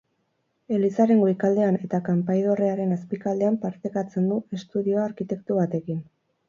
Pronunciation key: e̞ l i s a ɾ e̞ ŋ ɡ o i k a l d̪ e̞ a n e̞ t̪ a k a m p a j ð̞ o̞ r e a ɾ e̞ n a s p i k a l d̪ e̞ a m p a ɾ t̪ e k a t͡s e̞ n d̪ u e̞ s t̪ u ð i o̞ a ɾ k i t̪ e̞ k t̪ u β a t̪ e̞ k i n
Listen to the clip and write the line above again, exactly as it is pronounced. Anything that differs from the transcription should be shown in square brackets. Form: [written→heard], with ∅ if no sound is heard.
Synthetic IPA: e̞ l i s a ɾ e̞ ŋ ɡ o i k a l d̪ e̞ a n e̞ t̪ a k a m p a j ð̞ o̞ r e a ɾ e̞ n a s p i k a l d̪ e̞ a m p a ɾ t̪ e k a t͡s e̞ n d̪ u e̞ s t̪ u ð i o̞ a ɾ k i t̪ e̞ k t̪ u β a t̪ e̞ k i n